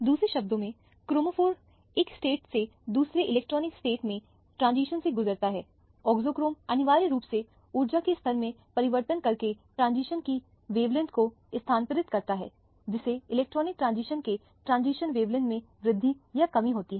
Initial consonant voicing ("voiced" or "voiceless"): voiced